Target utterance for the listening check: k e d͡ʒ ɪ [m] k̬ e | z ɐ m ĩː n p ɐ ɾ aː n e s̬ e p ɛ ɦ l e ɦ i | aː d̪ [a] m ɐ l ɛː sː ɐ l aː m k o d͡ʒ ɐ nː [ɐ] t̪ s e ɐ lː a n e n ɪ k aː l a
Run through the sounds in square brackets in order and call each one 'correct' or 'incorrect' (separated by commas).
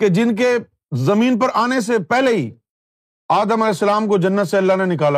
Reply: incorrect, incorrect, incorrect